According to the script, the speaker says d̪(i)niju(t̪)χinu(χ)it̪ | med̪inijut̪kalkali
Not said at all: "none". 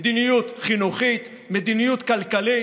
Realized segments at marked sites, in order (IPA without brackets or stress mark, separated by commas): i, t̪, χ